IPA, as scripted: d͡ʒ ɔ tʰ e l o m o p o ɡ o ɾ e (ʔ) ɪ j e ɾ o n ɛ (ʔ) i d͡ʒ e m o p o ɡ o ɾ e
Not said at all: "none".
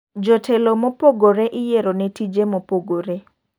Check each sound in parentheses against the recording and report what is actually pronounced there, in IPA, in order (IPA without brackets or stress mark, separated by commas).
ʔ, t